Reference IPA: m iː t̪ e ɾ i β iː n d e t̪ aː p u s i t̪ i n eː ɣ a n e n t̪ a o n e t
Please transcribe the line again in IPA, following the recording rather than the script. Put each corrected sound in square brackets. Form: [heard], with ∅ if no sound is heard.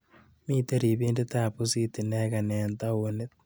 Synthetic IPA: m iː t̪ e ɾ i β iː n d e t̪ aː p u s i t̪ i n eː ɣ a n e n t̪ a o n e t